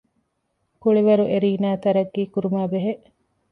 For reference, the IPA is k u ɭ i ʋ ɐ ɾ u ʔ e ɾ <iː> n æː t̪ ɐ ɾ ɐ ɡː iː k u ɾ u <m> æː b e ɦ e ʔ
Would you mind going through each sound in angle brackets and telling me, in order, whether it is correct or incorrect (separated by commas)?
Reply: correct, correct